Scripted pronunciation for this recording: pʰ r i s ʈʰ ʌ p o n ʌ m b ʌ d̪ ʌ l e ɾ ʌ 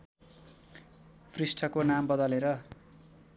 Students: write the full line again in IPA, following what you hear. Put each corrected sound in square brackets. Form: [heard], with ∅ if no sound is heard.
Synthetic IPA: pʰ r i s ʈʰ ʌ [k] o n [a] m b ʌ d̪ ʌ l e ɾ ʌ